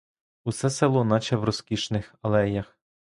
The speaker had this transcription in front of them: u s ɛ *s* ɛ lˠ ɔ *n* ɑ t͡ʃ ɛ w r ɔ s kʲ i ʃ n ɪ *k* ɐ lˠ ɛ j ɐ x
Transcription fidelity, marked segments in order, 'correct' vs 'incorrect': correct, correct, incorrect: x

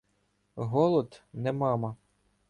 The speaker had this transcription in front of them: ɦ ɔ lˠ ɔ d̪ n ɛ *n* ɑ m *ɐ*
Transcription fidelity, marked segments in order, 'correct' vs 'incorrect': incorrect: m, correct

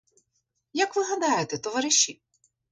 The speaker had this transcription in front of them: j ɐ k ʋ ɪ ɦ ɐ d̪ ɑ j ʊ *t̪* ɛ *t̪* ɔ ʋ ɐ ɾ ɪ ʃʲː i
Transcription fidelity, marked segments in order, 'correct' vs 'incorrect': correct, correct

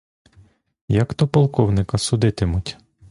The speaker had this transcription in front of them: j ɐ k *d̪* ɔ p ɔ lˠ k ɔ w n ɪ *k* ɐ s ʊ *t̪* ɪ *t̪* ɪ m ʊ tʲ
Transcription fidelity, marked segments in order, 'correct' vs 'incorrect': incorrect: t̪, correct, incorrect: d̪, correct

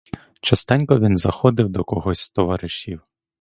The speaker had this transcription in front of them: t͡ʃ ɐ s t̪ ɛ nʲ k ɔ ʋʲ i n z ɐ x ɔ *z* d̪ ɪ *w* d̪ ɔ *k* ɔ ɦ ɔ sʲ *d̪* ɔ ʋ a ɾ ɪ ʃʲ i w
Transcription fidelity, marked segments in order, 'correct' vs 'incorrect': incorrect: none, correct, correct, incorrect: t̪

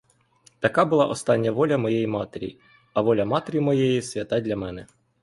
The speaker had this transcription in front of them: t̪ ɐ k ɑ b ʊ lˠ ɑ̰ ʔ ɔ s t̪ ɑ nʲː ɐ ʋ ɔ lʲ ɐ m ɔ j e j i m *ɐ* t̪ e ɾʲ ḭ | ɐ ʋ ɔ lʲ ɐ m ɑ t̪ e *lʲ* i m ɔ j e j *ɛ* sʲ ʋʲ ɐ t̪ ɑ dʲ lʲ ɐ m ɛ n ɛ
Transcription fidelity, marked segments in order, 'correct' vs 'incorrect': incorrect: ɑ, incorrect: ɾʲ, incorrect: i

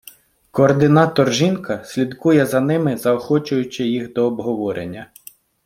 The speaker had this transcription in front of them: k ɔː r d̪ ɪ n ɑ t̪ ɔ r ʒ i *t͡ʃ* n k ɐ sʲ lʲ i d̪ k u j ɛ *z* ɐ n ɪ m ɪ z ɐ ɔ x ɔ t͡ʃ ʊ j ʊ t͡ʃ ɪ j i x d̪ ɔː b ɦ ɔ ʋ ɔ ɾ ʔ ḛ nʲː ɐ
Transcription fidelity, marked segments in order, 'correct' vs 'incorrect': incorrect: none, correct

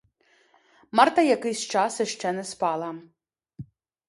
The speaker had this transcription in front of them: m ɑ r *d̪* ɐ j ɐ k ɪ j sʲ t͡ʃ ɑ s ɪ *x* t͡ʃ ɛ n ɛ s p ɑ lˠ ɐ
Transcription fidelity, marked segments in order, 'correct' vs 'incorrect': incorrect: t̪, incorrect: ʃ

